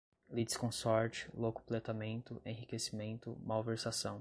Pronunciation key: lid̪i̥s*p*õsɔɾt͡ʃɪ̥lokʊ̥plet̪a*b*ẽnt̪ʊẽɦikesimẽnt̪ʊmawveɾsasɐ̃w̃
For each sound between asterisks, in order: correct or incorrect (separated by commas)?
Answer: incorrect, incorrect